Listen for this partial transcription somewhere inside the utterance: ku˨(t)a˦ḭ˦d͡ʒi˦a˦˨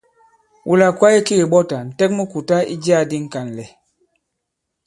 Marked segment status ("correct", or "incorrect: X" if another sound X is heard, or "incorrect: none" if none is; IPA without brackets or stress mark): correct